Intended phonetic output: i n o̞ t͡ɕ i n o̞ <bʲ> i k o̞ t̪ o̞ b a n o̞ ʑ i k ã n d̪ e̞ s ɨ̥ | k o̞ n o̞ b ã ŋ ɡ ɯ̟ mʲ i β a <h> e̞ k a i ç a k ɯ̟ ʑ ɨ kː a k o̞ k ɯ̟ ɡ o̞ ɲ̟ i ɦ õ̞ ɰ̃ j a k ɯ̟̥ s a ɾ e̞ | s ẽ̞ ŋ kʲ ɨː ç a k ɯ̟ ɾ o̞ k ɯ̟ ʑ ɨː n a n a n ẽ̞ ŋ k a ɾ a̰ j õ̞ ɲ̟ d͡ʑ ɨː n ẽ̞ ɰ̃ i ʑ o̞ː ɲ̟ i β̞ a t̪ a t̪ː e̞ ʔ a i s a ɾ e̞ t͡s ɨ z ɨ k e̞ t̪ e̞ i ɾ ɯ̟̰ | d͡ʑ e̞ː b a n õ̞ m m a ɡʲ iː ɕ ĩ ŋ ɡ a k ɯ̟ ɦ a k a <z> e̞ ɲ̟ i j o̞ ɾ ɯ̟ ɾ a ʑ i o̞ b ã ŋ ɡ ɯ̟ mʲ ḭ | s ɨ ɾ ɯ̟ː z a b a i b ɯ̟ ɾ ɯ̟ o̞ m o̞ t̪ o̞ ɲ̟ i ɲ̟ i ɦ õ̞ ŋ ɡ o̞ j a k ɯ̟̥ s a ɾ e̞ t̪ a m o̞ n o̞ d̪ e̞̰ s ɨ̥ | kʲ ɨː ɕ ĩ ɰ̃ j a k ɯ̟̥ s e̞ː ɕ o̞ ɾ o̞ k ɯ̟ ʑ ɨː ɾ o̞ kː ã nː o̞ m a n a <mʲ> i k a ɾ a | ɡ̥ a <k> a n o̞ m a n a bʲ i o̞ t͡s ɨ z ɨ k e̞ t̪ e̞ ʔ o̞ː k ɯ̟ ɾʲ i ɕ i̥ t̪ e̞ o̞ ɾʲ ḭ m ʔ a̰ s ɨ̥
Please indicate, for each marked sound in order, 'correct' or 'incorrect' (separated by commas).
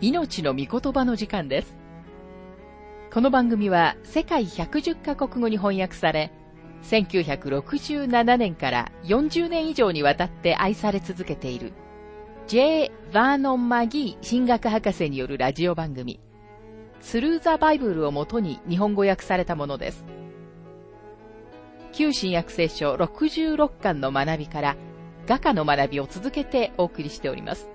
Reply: incorrect, incorrect, incorrect, incorrect, correct